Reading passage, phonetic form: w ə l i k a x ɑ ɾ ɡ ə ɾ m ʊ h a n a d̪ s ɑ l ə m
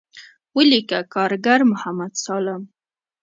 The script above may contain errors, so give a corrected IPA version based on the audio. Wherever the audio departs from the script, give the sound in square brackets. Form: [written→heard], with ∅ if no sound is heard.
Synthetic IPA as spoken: w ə l i k a [x→k] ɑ ɾ ɡ [ə→a] ɾ m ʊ h a [n→m] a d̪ s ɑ l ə m